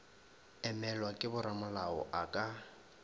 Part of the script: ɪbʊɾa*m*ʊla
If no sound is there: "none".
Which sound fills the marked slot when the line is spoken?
m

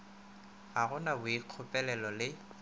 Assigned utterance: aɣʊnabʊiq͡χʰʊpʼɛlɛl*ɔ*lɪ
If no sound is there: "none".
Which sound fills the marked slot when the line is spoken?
ɔ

